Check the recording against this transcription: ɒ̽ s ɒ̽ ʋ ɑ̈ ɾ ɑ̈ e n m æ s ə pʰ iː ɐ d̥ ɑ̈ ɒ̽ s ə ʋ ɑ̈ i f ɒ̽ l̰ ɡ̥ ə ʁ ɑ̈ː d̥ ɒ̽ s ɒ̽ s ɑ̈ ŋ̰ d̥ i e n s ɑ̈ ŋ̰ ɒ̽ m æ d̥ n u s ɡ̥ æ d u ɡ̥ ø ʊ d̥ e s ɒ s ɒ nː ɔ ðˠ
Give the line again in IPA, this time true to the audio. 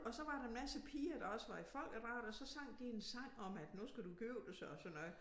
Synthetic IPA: ɒ̽ s ɒ̽ ʋ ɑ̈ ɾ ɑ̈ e n m æ s ə pʰ iː ɐ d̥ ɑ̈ ɒ̽ s ə ʋ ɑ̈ i f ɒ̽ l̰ ɡ̥ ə ʁ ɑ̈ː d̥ ɒ̽ s ɒ̽ s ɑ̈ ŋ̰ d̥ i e n s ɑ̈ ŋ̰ ɒ̽ m æ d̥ n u s ɡ̥ æ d u ɡ̥ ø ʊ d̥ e s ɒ s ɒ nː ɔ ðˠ

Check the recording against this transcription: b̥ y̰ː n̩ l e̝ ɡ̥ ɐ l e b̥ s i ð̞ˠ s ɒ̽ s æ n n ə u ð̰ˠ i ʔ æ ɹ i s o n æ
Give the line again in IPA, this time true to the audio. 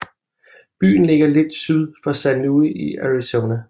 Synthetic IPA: b̥ y̰ː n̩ l e̝ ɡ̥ ɐ l e d̥ s y ð̞ˠ f ɒ̽ s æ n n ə u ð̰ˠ i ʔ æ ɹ i s o n æ

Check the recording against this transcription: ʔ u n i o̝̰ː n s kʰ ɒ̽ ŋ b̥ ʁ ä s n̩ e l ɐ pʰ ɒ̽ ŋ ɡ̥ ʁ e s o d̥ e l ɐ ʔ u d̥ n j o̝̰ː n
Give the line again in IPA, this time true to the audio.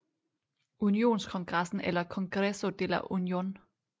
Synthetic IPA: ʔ u n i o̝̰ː n s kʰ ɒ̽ ŋ ɡ̥ ʁ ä s n̩ e l ɐ kʰ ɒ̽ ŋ ɡ̥ ʁ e s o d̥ e l ɐ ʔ u n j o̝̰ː n

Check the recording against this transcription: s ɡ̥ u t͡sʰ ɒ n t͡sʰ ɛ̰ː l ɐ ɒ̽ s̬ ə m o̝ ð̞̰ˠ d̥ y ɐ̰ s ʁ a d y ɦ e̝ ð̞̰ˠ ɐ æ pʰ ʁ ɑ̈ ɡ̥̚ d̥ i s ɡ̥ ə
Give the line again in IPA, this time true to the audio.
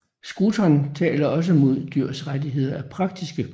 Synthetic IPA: s ɡ̥ u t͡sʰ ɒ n t͡sʰ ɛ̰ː l ɐ ɒ̽ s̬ ə m o̝ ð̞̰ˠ d̥ y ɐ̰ s ʁ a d i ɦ e̝ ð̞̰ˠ ɐ æ pʰ ʁ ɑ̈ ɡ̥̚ d̥ i s ɡ̥ ə

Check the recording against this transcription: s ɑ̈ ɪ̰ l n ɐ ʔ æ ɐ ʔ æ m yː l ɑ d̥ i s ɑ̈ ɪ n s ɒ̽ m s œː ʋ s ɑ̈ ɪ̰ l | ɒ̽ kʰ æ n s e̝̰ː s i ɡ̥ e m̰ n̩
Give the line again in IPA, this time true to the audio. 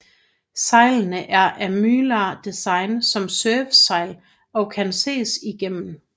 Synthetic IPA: s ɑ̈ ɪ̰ l n ə ʔ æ ɐ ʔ æ m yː l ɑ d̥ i s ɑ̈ ɪ n s ɒ̽ m s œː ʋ s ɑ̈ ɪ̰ l | ɒ̽ kʰ æ n s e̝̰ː s i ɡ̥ e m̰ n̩

